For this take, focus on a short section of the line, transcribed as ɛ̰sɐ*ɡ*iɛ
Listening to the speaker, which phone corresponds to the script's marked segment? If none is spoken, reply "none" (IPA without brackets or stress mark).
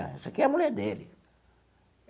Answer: k